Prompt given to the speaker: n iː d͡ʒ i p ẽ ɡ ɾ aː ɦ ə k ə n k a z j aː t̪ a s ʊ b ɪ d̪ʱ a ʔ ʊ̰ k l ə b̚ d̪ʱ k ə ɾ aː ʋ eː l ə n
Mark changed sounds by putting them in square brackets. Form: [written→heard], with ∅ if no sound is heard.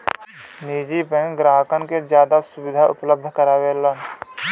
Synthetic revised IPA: n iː d͡ʒ i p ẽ ɡ ɾ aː ɦ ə k ə n k [a→e] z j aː [t̪→d̪] a s ʊ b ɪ d̪ʱ a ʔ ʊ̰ [k→p] l ə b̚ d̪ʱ k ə ɾ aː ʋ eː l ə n